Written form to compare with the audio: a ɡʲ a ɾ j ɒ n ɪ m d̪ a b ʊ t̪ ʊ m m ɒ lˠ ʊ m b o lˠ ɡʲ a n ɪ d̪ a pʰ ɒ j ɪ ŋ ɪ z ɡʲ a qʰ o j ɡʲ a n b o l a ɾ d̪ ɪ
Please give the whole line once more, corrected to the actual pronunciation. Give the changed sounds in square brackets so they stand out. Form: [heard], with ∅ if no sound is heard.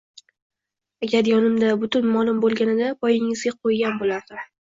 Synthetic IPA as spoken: a ɡʲ a ɾ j ɒ n ɪ m d̪ a b ʊ t̪ ʊ [n] m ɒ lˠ ʊ m b o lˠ ɡʲ a n ɪ d̪ a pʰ ɒ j ɪ ŋ ɪ z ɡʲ a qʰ o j ɡʲ a n b o l a ɾ d̪ ɪ

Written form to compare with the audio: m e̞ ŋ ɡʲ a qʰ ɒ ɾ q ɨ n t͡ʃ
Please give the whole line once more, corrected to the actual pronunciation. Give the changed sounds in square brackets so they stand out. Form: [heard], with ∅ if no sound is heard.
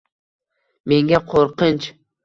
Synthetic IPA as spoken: m e̞ ŋ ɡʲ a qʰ [o] ɾ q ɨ n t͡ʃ

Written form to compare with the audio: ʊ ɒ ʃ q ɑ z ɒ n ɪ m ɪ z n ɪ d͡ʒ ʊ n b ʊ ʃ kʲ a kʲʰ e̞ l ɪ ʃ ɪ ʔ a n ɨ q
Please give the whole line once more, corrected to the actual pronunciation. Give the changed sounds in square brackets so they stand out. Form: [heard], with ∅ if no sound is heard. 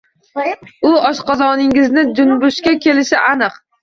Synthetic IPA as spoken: ʊ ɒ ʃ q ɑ z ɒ n ɪ [ŋ] ɪ z n ɪ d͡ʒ ʊ n b ʊ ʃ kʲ a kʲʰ e̞ l ɪ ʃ ɪ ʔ a n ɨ q

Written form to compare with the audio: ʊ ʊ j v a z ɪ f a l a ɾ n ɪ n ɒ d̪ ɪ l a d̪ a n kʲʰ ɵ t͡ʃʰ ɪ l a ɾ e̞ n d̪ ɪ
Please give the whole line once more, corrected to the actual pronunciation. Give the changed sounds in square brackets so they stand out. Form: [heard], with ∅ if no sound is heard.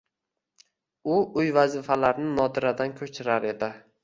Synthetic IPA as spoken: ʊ ʊ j v a z ɪ f a l a ɾ n ɪ n ɒ d̪ ɪ [ɾ] a d̪ a n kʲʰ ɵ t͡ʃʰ ɪ [ɾ] a ɾ e̞ [∅] d̪ ɪ

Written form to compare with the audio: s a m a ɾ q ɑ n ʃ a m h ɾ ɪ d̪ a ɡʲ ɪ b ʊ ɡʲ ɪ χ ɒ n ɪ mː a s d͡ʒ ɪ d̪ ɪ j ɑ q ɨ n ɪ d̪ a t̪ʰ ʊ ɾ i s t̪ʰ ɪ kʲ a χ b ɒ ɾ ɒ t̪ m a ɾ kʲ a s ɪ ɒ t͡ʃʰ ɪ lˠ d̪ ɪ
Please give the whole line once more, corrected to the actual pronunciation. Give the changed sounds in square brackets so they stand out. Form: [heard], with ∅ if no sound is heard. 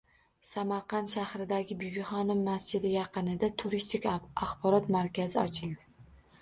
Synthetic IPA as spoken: s a m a ɾ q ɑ n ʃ a [∅] h ɾ ɪ d̪ a ɡʲ ɪ b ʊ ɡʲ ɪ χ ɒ n ɪ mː a s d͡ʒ ɪ d̪ ɪ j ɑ q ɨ n ɪ d̪ a t̪ʰ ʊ ɾ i s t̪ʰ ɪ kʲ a χ b ɒ ɾ ɒ t̪ m a ɾ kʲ a [z] ɪ ɒ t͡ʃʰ ɪ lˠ d̪ ɪ

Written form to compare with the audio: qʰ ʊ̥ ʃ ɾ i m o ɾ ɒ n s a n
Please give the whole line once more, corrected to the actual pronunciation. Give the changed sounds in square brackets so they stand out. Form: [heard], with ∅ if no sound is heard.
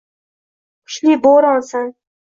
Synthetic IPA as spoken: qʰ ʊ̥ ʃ [l] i [b] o ɾ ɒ n s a n

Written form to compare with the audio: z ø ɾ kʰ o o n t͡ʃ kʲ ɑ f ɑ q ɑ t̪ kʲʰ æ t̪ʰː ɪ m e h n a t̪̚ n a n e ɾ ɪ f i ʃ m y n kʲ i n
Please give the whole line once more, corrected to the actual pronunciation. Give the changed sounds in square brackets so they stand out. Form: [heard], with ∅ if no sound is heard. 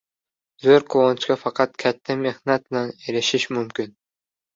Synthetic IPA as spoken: z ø ɾ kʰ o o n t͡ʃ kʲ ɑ f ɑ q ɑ t̪ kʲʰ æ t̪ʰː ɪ m e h n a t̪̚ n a n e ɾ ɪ [ʃ] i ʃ m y [m] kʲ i n

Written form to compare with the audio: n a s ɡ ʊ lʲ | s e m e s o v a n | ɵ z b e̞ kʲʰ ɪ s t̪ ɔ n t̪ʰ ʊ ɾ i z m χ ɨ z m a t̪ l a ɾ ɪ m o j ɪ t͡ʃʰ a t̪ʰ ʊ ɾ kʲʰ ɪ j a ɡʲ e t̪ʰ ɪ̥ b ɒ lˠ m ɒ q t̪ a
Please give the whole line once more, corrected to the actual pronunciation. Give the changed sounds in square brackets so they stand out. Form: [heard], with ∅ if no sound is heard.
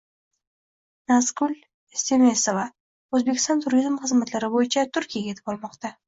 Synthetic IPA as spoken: n a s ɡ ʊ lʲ | s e m e s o v a [∅] | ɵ z b e̞ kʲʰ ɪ s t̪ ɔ n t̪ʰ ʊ ɾ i z m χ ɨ z m a t̪ l a ɾ ɪ [b] o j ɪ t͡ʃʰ a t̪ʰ ʊ ɾ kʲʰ [i] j a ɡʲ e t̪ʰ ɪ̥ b ɒ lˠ m ɒ q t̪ a

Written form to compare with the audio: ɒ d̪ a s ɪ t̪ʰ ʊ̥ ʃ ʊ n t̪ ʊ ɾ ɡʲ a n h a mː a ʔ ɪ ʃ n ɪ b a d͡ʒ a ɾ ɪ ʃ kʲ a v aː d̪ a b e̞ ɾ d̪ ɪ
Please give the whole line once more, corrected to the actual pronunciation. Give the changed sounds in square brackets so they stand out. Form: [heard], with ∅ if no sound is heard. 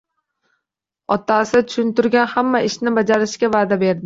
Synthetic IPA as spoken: ɒ [t̪] a s ɪ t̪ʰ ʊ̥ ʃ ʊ n t̪ ʊ ɾ ɡʲ a n h a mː a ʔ ɪ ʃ n ɪ b a d͡ʒ a ɾ ɪ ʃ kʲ a v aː d̪ a b e̞ ɾ d̪ ɪ

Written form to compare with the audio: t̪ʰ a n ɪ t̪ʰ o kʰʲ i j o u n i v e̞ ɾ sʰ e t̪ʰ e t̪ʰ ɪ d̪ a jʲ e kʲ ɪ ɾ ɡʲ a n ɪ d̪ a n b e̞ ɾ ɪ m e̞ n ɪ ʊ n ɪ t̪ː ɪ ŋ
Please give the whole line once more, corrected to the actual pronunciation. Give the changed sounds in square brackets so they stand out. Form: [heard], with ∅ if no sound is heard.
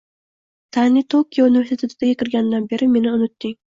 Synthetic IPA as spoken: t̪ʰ a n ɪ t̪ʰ o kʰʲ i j o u n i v e̞ ɾ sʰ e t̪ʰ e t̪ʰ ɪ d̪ a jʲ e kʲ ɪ ɾ ɡʲ a n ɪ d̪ a n b e̞ ɾ ɪ m e̞ n ɪ ʊ n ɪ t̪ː ɪ ŋ

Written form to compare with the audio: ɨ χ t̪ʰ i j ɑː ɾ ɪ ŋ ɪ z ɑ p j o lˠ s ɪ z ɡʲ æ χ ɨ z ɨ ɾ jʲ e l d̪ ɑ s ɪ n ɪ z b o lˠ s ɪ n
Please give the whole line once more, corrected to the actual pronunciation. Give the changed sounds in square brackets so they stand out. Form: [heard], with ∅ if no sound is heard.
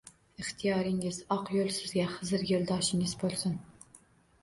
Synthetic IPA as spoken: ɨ χ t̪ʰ i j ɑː ɾ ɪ ŋ ɪ z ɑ [q] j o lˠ s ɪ z ɡʲ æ χ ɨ z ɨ ɾ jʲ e l d̪ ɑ [ʃ] ɪ [ŋ] ɪ z b o lˠ s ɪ n

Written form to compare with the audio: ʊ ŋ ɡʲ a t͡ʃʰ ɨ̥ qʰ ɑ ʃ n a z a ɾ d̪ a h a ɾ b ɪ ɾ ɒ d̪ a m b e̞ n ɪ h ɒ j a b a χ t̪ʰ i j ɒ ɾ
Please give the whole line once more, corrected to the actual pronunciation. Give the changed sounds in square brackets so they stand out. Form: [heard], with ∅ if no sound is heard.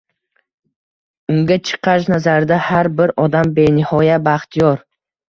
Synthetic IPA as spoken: ʊ ŋ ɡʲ a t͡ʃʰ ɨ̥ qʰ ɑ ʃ n a z a ɾ d̪ a h a ɾ b ɪ ɾ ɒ d̪ a m b e̞ n ɪ h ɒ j a b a χ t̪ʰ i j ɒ ɾ

